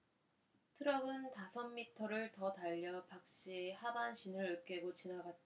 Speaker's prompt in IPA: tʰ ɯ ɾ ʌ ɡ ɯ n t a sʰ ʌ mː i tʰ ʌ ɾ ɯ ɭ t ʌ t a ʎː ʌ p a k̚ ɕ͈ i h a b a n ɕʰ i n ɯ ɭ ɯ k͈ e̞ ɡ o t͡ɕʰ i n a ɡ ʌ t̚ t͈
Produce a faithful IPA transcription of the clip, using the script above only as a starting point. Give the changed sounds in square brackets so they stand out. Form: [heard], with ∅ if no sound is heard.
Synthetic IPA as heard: tʰ ɯ ɾ ʌ ɡ ɯ n t a sʰ ʌ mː i tʰ ʌ ɾ ɯ ɭ t ʌ t a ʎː ʌ p a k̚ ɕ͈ i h a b a n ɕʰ i n ɯ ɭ ɯ k͈ e̞ ɡ o [t͡ɕ] i n a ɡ [a] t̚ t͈